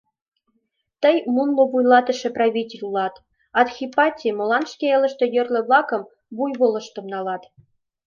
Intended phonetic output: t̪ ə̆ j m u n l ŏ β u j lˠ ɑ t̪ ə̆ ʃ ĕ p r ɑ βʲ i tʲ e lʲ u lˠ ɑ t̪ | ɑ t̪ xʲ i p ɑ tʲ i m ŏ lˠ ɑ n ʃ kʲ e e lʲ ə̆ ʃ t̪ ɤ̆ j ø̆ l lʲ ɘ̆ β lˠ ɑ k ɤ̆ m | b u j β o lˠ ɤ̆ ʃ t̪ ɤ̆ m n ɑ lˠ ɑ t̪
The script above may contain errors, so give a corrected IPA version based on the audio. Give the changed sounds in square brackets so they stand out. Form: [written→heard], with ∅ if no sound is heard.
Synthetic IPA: t̪ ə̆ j m u n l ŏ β u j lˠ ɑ t̪ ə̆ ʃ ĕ p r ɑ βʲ i tʲ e lʲ u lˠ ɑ t̪ | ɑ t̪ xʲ i p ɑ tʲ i m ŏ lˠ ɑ n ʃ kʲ e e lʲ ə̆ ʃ t̪ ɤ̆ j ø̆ [l→r] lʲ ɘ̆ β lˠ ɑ k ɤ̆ m | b u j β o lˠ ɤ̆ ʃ t̪ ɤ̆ m n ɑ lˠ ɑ t̪